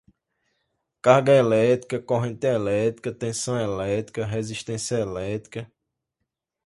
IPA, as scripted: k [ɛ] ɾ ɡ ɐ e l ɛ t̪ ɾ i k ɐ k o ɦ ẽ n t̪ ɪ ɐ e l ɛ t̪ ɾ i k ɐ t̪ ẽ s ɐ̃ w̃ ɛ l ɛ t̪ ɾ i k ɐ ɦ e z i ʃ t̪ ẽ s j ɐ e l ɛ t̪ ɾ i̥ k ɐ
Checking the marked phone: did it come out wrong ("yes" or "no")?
yes